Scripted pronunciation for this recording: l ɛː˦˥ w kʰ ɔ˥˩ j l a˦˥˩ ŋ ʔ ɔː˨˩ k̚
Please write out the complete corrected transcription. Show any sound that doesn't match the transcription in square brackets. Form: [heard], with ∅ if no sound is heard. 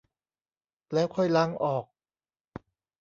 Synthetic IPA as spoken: l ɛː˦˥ w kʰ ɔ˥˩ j l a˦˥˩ ŋ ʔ ɔː˨˩ k̚